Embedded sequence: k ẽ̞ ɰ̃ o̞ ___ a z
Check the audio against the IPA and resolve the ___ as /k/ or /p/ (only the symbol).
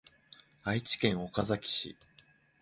k